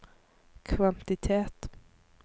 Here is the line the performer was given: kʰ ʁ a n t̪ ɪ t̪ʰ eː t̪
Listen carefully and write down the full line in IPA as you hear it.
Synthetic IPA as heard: kʰ v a n t̪ ɪ t̪ʰ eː t̪